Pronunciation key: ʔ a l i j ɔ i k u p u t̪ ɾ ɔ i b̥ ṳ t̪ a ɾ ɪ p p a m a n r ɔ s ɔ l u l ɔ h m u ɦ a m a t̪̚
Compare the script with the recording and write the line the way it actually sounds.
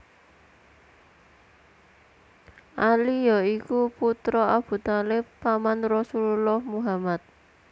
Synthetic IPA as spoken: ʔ a l i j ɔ i k u p u t̪ ɾ ɔ a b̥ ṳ t̪ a l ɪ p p a m a n r ɔ s u l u l ɔ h m u ɦ a m a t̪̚